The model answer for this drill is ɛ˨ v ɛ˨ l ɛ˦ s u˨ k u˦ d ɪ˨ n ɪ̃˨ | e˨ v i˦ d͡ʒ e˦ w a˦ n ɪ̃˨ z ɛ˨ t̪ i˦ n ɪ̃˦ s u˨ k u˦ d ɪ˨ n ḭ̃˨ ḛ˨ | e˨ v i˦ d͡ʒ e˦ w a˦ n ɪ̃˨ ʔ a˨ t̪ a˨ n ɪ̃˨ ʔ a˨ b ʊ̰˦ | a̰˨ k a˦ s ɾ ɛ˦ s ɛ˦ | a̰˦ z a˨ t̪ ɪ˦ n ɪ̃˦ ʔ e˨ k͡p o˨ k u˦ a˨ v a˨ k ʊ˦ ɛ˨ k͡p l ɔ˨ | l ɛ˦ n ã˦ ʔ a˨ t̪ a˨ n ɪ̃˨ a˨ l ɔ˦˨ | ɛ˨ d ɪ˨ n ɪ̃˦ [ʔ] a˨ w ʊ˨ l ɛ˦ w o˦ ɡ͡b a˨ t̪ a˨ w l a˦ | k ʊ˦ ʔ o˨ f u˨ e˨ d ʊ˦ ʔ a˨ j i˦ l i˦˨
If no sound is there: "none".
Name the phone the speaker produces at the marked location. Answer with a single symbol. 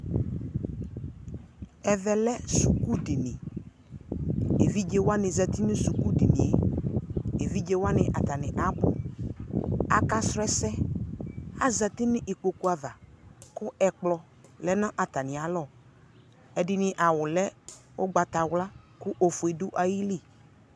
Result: ʔ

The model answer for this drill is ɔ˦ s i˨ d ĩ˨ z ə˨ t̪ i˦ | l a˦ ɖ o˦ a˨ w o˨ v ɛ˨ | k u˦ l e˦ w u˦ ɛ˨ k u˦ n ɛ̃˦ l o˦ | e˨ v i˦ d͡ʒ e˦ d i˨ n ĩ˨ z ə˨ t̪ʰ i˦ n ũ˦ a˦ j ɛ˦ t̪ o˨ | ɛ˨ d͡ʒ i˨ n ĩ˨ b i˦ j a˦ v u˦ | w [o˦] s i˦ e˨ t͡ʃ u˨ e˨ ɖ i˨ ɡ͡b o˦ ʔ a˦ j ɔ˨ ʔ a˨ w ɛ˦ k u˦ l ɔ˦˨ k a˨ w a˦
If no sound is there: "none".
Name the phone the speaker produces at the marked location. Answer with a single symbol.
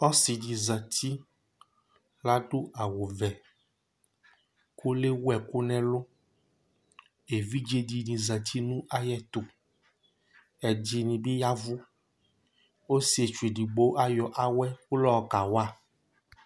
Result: o˦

